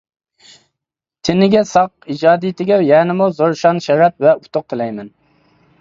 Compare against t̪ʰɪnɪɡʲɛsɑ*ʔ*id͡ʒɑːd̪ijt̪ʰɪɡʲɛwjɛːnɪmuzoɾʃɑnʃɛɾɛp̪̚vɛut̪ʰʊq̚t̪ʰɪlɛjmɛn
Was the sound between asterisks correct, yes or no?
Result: no